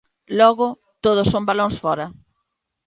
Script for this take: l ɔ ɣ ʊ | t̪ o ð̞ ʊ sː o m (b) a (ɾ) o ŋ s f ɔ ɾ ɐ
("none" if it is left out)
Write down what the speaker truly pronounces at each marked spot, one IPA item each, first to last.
b, l

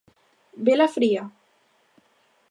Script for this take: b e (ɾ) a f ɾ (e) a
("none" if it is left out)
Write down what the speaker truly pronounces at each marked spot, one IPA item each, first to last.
l, i

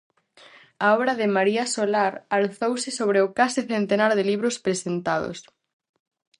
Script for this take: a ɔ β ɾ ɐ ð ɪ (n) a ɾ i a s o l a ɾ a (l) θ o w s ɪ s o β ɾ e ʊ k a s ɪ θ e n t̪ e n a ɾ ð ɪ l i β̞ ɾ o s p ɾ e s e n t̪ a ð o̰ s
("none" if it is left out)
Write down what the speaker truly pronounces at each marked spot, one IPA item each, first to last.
m, l

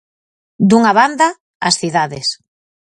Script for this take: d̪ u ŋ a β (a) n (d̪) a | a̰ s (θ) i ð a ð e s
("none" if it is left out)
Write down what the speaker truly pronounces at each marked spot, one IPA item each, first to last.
a, d̪, θ

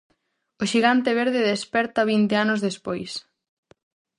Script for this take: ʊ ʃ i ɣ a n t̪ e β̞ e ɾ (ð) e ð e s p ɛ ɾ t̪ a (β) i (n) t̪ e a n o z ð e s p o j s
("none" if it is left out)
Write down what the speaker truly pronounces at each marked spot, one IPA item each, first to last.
ð, β, n

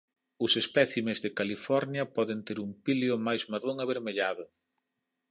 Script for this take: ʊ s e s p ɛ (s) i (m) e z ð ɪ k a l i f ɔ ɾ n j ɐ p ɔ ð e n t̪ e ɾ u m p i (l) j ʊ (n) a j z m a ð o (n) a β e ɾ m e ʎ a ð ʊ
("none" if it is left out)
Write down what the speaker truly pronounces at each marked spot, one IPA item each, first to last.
θ, m, l, m, ŋ

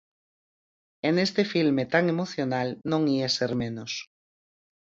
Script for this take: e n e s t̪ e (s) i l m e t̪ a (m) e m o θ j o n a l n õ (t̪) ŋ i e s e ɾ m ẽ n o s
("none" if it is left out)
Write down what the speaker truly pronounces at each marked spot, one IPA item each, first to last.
f, ŋ, none

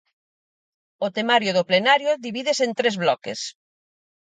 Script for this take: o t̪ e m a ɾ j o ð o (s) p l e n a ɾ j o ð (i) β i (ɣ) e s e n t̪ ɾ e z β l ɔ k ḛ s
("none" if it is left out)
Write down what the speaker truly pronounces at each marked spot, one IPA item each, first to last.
none, i, ð

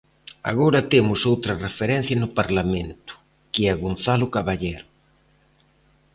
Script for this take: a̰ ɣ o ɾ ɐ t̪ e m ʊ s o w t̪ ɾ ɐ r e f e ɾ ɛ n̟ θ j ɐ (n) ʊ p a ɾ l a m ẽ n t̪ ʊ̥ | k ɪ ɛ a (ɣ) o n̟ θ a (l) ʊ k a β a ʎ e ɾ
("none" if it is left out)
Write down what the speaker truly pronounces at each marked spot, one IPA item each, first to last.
n, ɣ, l

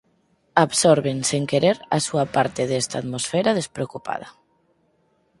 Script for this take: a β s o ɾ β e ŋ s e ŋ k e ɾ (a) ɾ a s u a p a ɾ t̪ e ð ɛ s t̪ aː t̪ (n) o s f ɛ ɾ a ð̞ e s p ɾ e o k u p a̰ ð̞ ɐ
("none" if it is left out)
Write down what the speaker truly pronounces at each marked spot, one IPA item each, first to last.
e, m

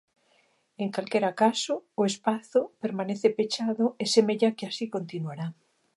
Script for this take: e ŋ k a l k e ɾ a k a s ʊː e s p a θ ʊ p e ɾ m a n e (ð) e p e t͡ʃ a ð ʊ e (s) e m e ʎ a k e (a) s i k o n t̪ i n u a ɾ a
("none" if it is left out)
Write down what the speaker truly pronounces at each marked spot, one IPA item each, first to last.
θ, s, a

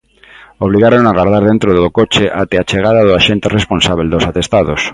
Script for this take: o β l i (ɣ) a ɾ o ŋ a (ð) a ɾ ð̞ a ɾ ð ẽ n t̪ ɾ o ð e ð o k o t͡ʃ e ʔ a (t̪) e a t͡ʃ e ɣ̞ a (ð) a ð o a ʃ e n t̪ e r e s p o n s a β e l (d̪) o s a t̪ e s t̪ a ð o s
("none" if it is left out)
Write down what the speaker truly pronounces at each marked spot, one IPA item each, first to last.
ɣ, ɣ, t̪, ð, d̪

